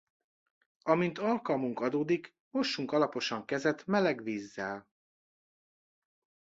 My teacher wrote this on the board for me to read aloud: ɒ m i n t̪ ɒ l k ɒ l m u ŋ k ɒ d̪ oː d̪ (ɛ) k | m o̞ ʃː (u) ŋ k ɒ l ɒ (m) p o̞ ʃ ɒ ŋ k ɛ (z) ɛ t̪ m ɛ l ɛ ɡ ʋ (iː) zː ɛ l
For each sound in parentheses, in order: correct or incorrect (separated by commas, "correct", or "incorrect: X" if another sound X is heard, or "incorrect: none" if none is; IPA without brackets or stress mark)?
incorrect: i, correct, incorrect: none, correct, correct